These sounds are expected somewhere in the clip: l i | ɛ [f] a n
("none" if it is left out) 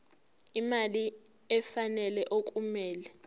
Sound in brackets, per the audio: f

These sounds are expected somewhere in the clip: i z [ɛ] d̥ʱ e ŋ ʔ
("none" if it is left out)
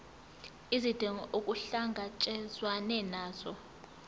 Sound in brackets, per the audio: i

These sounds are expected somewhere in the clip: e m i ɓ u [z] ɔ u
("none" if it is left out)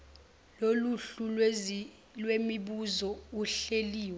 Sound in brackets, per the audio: z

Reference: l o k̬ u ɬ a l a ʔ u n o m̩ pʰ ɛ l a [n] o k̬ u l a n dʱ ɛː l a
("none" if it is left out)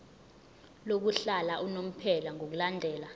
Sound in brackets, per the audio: ŋ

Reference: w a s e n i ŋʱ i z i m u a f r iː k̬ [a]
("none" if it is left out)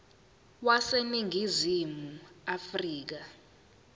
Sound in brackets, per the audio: a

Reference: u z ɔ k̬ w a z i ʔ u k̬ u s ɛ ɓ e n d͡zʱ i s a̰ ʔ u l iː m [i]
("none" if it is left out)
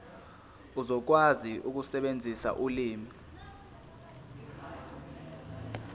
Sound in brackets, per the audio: i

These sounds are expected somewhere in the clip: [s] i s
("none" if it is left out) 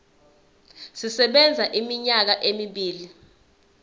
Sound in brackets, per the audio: s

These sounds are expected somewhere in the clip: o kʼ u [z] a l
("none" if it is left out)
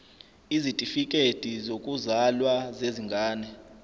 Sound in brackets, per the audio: z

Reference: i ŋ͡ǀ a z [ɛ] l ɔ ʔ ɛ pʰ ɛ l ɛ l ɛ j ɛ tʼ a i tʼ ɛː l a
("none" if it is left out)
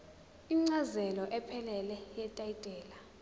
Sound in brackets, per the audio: ɛ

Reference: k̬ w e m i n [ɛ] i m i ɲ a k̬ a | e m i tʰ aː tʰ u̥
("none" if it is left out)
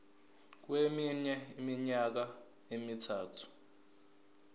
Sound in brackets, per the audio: ɛ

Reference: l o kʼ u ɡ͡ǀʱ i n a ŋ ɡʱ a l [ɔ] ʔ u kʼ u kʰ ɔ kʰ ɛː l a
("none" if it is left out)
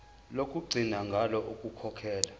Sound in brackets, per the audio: ɔ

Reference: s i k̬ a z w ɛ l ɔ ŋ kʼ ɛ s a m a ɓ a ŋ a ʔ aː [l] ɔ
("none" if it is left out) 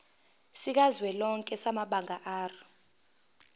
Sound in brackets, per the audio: r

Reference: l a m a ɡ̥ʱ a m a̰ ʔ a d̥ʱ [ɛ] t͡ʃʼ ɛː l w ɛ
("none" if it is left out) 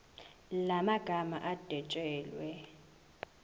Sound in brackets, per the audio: ɛ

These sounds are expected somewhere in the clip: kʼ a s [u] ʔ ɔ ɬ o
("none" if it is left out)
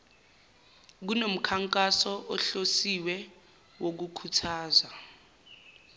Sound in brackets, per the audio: ɔ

